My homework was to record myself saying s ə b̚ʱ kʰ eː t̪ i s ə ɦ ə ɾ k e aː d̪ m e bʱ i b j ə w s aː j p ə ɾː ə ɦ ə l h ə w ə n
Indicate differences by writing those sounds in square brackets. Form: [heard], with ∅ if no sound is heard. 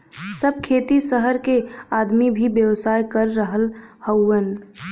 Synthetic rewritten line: s ə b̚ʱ kʰ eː t̪ i s ə ɦ ə ɾ k e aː d̪ m [i] bʱ i b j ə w s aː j [k] ə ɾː ə ɦ ə l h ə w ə n